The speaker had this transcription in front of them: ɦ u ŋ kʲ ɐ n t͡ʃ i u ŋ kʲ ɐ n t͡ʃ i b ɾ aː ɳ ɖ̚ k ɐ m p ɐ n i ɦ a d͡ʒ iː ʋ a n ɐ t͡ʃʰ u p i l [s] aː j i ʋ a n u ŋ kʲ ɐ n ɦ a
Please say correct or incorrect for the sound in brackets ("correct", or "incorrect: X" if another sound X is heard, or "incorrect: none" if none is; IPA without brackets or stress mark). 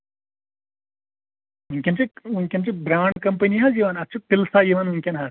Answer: correct